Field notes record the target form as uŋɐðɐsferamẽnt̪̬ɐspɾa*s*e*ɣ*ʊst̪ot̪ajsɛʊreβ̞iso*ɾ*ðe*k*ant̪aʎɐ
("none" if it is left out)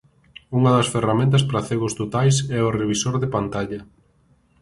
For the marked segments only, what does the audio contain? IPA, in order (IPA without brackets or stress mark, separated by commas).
θ, ɣ, ɾ, p